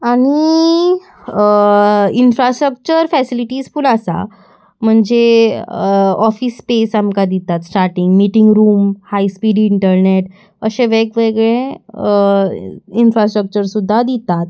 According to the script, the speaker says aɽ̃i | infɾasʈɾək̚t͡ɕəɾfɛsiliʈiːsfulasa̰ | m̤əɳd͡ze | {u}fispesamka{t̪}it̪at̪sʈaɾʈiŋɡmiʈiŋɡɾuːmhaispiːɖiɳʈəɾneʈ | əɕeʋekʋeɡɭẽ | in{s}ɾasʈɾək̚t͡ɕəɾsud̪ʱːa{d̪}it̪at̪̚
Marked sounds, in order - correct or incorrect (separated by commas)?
incorrect, incorrect, incorrect, correct